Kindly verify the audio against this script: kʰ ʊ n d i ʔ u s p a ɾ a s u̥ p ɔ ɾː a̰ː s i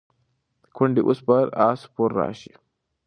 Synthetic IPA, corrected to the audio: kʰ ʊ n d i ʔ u s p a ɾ a s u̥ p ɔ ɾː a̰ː ʃ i

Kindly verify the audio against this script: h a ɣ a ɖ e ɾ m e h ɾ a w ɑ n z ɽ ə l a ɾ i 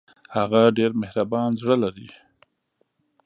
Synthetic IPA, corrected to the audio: h a ɣ a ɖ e ɾ m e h ɾ a b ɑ n z ɽ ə l a ɾ i

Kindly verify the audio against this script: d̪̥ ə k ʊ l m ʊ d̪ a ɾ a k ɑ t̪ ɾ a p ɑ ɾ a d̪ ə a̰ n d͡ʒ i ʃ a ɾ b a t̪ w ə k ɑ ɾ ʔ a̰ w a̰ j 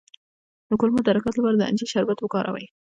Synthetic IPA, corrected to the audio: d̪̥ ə k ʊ l m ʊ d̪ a ɾ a k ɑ t̪ l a p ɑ ɾ a d̪ ə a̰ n d͡ʒ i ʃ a ɾ b a t̪ w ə k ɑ ɾ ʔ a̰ w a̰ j

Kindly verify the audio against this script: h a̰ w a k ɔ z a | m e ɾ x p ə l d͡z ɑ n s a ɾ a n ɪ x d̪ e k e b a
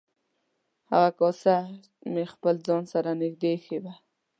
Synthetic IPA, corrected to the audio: h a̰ ɣ a k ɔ s a | m e x p ə l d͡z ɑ n s a ɾ a n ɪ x d̪ e x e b a

